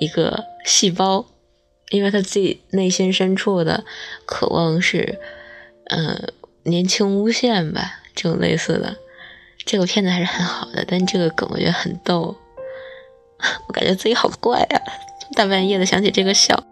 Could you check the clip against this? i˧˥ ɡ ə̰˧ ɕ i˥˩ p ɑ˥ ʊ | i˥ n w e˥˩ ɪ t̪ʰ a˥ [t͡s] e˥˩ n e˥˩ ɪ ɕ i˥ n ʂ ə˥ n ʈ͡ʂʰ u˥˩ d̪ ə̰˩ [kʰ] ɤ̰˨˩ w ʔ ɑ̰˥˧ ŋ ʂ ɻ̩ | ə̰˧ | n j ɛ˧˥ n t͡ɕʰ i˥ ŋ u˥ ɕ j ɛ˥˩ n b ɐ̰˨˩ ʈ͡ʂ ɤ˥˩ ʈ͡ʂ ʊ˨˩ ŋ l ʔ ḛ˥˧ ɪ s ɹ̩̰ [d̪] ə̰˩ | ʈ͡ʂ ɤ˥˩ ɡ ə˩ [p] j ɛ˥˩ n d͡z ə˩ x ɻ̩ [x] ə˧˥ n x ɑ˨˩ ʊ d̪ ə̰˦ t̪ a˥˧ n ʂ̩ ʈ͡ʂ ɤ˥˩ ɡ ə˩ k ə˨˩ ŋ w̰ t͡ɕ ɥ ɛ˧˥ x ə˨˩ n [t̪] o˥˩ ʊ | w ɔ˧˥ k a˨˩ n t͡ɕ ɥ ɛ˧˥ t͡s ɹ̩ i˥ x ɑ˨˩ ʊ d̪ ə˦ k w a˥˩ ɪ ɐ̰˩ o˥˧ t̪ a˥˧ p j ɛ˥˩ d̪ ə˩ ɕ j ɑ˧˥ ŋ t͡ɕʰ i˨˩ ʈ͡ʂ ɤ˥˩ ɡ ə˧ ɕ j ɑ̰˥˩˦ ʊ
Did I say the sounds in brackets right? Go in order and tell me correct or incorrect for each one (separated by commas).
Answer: correct, correct, correct, incorrect, correct, correct